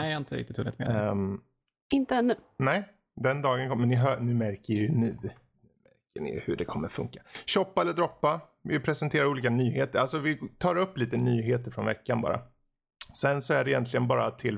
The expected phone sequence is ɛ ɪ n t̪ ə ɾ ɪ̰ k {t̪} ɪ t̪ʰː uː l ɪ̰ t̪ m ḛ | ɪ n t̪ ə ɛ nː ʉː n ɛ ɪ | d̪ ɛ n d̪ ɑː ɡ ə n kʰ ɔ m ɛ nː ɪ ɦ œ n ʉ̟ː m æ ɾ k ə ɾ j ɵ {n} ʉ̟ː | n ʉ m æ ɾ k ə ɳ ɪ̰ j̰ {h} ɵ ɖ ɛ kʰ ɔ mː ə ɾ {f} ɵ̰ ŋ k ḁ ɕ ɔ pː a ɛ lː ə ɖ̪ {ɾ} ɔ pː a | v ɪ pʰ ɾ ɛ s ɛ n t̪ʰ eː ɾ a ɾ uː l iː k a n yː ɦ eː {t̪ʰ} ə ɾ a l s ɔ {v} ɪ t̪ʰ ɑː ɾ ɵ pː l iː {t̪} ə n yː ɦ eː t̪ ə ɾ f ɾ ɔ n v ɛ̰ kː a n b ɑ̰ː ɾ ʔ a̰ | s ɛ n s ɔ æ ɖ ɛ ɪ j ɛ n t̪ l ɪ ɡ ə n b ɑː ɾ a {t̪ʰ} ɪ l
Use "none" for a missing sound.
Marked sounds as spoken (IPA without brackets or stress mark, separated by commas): t̪, n, h, f, ɾ, t̪, v, t̪, t̪ʰ